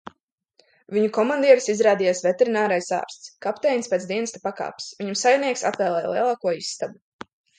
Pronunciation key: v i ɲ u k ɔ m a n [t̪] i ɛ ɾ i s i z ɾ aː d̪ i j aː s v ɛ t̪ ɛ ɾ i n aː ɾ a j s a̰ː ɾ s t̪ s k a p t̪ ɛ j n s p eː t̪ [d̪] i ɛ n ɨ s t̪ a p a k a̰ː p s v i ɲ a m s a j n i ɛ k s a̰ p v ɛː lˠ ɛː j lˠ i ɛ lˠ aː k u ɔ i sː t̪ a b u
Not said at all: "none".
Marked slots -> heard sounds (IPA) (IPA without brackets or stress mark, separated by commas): d̪, d̪